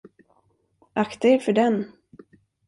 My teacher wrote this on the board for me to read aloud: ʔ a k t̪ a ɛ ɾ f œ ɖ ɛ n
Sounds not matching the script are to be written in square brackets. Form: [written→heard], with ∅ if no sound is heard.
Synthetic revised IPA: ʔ a k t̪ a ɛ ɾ f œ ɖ ɛ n